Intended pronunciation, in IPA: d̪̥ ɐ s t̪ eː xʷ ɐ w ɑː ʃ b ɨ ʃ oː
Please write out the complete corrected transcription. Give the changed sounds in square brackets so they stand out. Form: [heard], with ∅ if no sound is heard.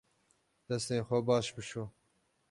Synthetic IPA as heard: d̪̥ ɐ s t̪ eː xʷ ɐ [b] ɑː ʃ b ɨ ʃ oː